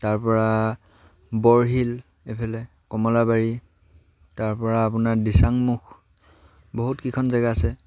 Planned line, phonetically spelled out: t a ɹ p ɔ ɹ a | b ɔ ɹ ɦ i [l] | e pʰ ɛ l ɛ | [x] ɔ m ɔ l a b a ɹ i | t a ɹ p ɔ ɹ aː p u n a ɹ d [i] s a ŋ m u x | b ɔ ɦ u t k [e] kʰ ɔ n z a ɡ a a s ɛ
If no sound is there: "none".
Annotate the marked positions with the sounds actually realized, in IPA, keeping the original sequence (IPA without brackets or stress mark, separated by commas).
l, k, i, i